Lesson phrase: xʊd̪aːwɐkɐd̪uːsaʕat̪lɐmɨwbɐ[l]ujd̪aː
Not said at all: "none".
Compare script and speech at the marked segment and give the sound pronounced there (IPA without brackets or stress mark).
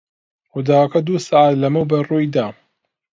r